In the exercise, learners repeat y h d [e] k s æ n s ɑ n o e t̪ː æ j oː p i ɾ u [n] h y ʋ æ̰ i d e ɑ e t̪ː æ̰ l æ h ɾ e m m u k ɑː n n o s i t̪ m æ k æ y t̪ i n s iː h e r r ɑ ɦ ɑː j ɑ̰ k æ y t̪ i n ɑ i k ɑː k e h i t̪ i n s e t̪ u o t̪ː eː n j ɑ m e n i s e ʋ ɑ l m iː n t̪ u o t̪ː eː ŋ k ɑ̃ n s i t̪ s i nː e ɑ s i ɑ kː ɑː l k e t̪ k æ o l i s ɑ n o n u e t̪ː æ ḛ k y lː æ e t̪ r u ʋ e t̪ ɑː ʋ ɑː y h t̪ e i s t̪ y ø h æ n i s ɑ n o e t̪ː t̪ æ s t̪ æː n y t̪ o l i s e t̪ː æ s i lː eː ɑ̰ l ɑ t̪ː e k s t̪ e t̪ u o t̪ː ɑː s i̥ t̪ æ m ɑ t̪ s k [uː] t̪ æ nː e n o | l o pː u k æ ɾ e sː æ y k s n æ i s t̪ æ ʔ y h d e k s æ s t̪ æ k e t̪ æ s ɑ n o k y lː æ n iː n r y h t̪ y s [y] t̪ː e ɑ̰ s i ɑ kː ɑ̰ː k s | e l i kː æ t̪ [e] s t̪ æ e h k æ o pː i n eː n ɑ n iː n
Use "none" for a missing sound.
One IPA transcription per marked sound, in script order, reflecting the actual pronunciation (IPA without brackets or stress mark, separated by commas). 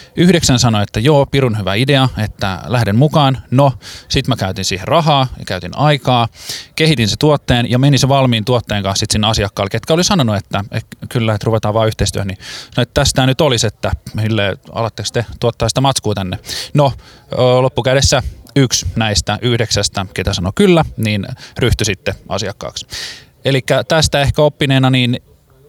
e, n, uː, i, æ